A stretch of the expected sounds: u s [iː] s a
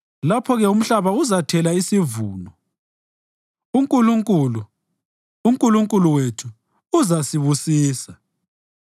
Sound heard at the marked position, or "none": iː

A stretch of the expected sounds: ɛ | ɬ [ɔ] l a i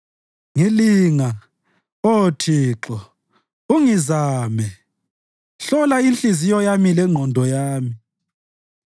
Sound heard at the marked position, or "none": ɔ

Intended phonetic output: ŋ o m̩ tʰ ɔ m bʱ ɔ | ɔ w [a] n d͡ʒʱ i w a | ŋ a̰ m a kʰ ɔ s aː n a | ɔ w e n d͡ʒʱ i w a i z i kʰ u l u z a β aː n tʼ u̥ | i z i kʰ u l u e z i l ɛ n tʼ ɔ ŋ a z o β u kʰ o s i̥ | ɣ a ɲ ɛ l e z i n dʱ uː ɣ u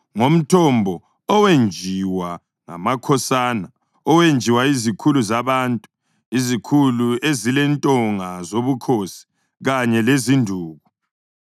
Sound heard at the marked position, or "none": e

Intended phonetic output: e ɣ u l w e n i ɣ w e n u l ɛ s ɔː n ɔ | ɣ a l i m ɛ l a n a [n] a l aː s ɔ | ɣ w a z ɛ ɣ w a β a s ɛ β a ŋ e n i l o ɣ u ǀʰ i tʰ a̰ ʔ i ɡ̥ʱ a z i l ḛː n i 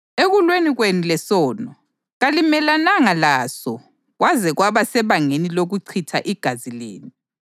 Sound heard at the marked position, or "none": ŋ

